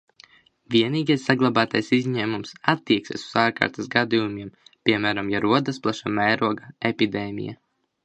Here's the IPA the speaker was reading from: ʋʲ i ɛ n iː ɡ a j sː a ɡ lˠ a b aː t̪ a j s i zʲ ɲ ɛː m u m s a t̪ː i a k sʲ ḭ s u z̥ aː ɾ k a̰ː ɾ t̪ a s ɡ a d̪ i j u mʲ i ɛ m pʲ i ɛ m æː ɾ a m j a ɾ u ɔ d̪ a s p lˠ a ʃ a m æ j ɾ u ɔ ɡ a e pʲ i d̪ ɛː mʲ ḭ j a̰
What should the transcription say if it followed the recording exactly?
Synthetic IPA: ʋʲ i ɛ n iː ɡ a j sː a ɡ lˠ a b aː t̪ a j s i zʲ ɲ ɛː m u m s a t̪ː i ɛ k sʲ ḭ s u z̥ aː ɾ k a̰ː ɾ t̪ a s ɡ a d̪ i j u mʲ i ɛ m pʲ i ɛ m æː ɾ a m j a ɾ u ɔ d̪ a s p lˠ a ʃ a m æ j ɾ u ɔ ɡ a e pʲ i d̪ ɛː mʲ ḭ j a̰